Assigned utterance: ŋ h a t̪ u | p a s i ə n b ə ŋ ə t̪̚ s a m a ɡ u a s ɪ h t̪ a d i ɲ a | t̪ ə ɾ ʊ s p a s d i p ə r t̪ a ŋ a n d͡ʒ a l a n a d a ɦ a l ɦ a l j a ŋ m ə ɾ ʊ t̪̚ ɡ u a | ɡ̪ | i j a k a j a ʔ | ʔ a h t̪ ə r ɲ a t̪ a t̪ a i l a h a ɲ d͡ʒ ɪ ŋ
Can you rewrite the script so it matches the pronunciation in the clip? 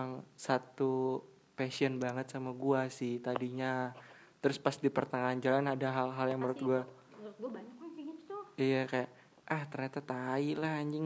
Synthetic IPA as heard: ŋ s a t̪ u | p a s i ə n b a ŋ ə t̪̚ s a m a ɡ u a s ɪ h t̪ a d i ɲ a | t̪ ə ɾ ʊ s p a s d i p ə r t̪ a ŋ a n d͡ʒ a l a n a d a ɦ a l ɦ a l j a ŋ m ə ɾ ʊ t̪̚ ɡ u a | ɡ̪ | i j a k a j a ʔ | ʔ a h t̪ ə r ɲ a t̪ a t̪ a i l a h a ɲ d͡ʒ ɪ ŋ